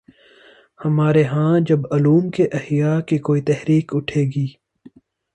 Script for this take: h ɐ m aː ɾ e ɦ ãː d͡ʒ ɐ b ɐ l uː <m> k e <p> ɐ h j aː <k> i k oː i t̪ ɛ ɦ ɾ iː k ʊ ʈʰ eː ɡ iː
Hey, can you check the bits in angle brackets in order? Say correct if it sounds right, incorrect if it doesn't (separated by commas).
correct, incorrect, correct